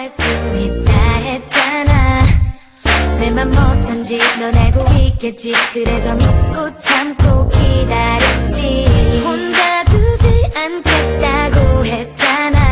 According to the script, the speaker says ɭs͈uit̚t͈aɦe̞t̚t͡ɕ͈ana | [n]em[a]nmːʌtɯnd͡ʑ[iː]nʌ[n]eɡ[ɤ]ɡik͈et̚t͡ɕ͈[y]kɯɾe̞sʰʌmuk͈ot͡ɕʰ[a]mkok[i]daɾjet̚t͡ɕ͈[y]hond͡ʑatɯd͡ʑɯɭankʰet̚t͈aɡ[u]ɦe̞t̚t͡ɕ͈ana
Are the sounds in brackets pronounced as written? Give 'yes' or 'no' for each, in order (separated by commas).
yes, yes, no, yes, no, no, yes, yes, no, no